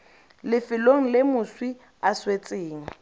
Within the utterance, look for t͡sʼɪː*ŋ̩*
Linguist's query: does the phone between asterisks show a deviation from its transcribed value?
no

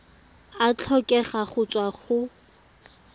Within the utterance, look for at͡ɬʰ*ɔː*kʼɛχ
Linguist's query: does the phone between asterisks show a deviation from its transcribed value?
yes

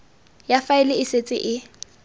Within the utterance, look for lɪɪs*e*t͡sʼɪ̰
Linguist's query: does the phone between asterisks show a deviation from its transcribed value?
no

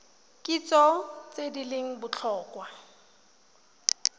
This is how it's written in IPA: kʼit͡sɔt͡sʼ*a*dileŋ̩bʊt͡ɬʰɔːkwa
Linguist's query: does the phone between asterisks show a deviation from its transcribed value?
yes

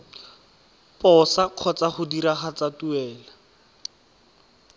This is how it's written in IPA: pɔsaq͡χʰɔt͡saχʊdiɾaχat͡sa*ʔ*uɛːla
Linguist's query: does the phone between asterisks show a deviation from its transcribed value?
yes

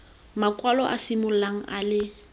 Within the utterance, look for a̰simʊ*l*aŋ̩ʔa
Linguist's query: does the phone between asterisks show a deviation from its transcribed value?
no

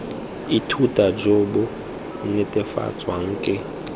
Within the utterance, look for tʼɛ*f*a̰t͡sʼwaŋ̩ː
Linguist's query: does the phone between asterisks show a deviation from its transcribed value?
no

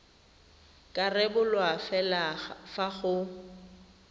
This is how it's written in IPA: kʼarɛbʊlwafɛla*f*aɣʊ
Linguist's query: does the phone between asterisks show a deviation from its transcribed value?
no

